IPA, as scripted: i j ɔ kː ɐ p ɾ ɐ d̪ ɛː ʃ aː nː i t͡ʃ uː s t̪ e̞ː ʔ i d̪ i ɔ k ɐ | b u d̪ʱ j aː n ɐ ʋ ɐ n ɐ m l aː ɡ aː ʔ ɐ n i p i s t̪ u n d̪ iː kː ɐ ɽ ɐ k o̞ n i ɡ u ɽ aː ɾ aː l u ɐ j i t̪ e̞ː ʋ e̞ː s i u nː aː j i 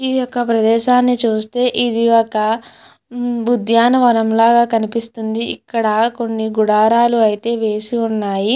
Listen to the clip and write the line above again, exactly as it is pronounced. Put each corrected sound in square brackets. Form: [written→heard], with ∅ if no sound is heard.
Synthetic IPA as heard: i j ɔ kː ɐ p ɾ ɐ d̪ ɛː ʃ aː nː i t͡ʃ uː s t̪ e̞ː ʔ i d̪ i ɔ k ɐ | b u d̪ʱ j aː n ɐ ʋ ɐ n ɐ m l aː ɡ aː [ʔ→k] ɐ n i p i s t̪ u n d̪ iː kː ɐ ɽ ɐ k o̞ [n→nː] i ɡ u ɽ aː ɾ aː l u ɐ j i t̪ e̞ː ʋ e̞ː s i u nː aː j i

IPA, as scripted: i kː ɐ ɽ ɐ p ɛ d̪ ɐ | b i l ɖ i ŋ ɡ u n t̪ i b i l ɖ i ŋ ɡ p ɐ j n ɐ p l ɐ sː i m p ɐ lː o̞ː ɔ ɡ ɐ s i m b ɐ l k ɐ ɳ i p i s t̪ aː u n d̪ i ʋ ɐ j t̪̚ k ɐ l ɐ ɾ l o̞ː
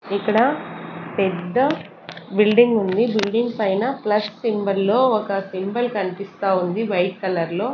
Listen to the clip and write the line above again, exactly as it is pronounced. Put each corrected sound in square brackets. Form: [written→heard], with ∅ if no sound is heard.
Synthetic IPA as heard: i kː ɐ ɽ ɐ p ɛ [d̪→d̪ː] ɐ | b i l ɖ i ŋ ɡ u n [t̪→d̪] i b i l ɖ i ŋ ɡ p ɐ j n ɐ p l ɐ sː i m [p→b] ɐ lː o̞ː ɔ [ɡ→k] ɐ s i m b ɐ l k ɐ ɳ i p i s t̪ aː u n d̪ i ʋ ɐ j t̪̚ k ɐ l ɐ ɾ l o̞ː

